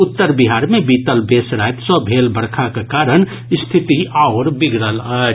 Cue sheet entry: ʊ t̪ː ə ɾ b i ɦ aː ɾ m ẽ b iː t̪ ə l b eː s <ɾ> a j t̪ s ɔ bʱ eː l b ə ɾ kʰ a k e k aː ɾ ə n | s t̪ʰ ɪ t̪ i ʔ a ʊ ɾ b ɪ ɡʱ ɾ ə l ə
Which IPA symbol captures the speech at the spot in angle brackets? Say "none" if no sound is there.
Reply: ɾ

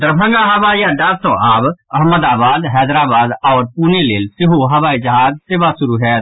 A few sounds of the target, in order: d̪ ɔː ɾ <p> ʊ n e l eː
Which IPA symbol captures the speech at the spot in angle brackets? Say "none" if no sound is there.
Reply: p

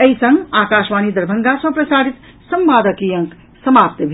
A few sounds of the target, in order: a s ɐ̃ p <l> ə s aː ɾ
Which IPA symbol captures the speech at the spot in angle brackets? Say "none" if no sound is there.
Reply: ɾ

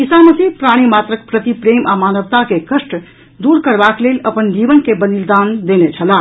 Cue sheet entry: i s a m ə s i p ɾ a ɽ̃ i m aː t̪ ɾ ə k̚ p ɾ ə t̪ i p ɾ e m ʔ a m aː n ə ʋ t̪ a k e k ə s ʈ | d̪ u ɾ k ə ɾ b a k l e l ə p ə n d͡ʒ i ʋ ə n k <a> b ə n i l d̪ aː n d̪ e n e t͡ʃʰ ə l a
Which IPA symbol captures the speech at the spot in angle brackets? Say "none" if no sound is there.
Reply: e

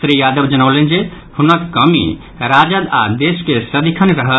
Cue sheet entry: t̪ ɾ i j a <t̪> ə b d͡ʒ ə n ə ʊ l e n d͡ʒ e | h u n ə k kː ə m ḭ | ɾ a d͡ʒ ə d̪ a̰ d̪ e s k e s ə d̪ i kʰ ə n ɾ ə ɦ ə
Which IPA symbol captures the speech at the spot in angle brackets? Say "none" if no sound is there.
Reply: d̪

